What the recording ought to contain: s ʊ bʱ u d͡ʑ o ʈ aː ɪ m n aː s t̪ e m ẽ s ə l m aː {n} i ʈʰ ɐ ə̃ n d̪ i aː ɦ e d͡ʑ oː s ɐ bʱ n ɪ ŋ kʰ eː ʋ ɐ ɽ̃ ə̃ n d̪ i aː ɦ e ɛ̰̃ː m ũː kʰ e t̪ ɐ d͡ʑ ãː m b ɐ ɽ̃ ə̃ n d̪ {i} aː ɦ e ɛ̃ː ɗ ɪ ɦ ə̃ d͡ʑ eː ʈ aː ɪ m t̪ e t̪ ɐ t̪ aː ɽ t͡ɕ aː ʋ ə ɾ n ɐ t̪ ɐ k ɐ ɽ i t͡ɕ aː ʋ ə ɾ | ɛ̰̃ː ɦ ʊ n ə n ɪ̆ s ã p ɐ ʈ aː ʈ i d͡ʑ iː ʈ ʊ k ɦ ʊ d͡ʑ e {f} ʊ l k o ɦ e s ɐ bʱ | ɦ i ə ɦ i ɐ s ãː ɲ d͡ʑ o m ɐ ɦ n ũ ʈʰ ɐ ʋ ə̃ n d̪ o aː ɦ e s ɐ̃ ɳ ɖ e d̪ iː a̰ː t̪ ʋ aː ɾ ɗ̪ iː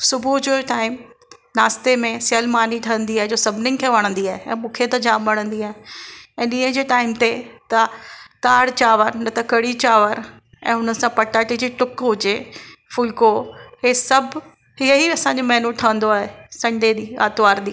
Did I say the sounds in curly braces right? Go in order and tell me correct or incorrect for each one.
correct, correct, correct

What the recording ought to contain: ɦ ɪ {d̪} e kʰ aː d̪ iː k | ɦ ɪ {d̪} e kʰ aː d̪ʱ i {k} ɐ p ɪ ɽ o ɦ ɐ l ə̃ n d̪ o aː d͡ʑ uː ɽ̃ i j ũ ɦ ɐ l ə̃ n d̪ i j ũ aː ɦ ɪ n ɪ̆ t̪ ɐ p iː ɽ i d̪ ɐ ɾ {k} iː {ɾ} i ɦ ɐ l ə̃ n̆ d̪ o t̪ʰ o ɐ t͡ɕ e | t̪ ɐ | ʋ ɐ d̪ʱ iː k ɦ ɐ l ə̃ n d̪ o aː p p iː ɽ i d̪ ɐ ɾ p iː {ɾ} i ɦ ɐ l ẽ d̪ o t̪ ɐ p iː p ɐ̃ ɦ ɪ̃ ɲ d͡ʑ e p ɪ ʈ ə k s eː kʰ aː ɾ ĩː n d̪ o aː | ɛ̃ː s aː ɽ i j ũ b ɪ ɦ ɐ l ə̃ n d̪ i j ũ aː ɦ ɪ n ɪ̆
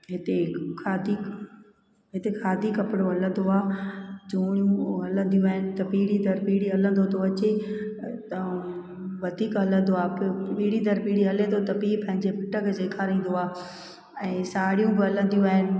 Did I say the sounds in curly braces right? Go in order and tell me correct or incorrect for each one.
incorrect, incorrect, correct, incorrect, incorrect, incorrect

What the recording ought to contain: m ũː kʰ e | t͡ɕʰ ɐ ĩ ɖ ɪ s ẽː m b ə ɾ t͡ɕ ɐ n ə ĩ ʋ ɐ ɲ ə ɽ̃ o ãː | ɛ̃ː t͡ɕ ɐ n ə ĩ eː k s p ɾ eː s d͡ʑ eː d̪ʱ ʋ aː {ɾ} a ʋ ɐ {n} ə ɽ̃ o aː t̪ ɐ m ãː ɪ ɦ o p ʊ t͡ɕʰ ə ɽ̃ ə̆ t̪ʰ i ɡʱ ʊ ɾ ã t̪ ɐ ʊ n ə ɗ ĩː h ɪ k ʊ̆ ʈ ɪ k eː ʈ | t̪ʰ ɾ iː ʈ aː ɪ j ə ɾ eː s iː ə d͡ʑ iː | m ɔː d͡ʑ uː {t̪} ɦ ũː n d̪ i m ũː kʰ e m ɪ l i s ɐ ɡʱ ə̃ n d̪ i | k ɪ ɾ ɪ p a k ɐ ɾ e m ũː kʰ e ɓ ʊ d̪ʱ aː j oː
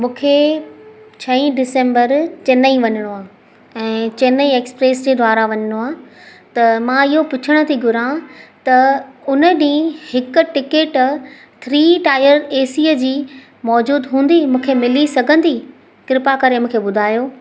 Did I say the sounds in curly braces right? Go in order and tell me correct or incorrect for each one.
correct, incorrect, incorrect

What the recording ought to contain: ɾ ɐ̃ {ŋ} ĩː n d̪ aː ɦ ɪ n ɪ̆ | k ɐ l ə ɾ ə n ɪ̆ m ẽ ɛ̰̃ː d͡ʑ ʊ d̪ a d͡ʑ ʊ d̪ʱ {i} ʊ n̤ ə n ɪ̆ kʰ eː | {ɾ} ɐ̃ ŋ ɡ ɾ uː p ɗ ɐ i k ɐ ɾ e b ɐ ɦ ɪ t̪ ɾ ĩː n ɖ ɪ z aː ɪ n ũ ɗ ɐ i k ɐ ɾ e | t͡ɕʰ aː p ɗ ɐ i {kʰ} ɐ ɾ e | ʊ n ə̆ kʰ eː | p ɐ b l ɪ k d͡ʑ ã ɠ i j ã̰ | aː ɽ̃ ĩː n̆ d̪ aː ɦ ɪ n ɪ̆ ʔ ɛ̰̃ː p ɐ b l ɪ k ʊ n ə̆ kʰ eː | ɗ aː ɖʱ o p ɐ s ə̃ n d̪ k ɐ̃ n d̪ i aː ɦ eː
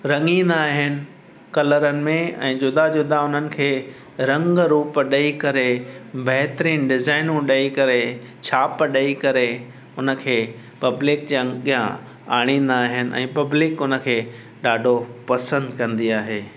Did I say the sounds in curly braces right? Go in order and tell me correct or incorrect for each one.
correct, incorrect, correct, incorrect

